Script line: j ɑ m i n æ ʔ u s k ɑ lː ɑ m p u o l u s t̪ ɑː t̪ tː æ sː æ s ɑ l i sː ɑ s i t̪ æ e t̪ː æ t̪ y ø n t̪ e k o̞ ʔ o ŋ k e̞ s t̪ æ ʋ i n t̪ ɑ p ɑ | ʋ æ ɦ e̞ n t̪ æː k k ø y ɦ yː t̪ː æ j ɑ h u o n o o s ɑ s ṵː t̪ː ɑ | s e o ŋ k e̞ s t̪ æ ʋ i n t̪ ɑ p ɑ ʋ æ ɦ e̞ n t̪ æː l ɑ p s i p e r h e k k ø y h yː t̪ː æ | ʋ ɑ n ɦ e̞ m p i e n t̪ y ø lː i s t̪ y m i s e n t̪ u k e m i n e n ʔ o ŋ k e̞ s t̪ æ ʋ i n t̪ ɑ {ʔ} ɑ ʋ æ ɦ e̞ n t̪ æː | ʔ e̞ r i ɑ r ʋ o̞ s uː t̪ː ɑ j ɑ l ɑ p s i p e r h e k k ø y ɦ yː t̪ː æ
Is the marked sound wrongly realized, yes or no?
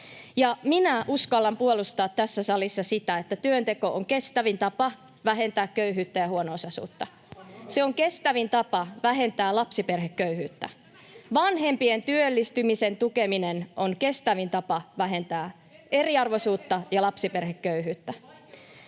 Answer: yes